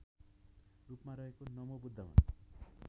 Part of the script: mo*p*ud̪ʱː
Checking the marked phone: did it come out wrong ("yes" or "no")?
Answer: yes